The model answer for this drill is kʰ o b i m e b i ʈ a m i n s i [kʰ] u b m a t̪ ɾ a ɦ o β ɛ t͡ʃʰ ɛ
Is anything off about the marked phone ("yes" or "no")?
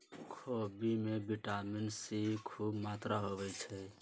no